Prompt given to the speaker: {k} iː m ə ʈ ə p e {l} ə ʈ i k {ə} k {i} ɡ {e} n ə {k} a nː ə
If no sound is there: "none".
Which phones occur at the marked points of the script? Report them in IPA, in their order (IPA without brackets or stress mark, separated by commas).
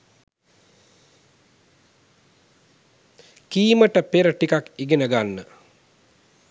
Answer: k, ɾ, a, i, e, ɡ